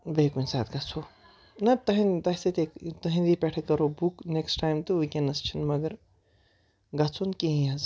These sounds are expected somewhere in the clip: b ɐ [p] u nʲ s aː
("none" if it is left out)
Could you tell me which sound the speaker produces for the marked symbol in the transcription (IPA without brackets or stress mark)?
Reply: k